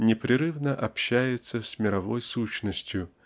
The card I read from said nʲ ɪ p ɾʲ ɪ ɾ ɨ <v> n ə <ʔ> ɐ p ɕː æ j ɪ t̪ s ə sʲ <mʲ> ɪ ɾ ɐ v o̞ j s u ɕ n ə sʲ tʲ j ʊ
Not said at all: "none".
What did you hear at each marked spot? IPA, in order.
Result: v, ʔ, mʲ

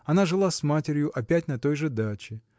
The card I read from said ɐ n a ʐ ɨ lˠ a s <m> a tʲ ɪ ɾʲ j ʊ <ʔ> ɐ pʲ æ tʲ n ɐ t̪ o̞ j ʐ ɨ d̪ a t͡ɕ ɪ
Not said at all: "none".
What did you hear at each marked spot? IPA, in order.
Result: m, ʔ

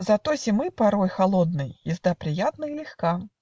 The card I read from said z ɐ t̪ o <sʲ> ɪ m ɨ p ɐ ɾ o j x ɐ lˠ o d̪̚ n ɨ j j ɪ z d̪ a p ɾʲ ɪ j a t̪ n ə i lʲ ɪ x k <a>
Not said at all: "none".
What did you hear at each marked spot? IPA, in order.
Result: sʲ, a

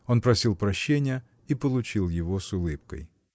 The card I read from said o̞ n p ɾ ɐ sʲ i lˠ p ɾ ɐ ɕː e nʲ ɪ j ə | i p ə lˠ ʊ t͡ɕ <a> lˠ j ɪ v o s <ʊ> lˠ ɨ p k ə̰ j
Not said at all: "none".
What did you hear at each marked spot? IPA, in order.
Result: i, ʊ

